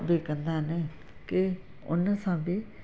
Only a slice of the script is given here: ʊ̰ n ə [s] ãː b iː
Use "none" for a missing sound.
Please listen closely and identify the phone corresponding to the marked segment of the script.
s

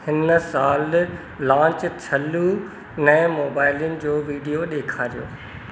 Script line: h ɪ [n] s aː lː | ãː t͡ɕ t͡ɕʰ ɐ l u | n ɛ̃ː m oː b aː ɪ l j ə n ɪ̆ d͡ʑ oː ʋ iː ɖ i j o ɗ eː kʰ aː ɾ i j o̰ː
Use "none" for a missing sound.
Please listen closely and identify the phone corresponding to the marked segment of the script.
n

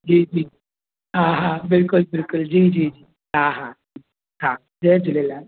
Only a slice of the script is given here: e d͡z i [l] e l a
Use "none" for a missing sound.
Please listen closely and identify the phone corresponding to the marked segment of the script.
l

